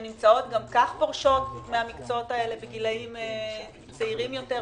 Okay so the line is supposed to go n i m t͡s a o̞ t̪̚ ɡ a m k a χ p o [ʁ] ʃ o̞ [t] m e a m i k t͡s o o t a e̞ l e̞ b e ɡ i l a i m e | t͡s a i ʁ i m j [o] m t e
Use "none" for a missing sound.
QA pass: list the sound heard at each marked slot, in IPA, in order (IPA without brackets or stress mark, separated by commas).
ʁ, t, o